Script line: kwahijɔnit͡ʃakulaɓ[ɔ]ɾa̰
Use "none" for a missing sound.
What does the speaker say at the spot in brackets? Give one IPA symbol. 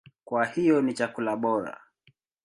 ɔ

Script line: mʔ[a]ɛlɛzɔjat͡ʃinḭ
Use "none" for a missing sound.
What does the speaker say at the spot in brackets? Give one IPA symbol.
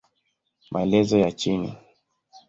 a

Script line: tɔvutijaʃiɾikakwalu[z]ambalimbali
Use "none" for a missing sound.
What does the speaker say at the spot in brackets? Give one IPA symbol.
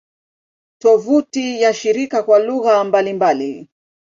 ɣ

